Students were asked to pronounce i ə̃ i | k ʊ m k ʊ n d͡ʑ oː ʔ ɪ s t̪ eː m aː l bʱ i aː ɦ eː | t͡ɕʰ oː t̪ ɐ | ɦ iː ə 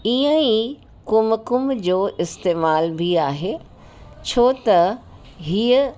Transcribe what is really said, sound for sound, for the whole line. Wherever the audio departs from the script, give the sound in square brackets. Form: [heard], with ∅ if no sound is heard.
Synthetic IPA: i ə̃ i | k ʊ m k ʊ [m] d͡ʑ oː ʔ ɪ s t̪ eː m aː l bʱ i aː ɦ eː | t͡ɕʰ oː t̪ ɐ | ɦ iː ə